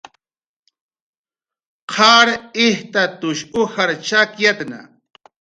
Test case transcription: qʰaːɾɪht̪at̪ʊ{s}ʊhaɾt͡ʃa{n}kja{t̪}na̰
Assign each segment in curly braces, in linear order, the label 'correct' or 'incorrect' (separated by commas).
incorrect, incorrect, correct